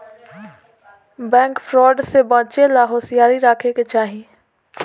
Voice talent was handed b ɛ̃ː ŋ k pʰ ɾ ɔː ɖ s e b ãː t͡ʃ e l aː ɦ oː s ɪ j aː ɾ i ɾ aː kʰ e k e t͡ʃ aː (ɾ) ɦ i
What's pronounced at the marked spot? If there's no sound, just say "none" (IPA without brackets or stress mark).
none